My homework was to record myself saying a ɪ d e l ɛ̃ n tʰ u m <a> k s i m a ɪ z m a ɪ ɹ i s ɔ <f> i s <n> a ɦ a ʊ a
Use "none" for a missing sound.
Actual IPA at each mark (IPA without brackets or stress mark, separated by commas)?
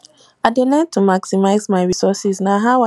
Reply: a, s, n